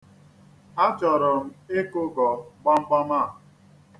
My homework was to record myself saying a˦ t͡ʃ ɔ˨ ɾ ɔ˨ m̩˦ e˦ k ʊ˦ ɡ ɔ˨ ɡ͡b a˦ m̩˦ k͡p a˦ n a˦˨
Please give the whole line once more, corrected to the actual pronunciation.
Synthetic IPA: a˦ t͡ʃ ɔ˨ ɾ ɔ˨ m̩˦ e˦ k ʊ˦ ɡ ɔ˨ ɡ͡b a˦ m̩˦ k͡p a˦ m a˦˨